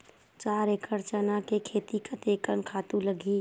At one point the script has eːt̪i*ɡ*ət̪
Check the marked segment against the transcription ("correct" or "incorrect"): incorrect